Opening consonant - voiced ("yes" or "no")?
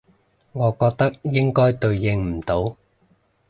yes